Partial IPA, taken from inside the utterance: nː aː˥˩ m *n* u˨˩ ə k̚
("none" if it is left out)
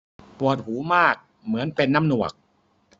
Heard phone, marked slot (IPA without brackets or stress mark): n